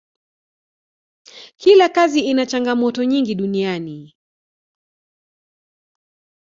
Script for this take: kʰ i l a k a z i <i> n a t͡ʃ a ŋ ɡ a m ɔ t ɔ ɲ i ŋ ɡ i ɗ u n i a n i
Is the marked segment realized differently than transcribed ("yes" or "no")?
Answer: no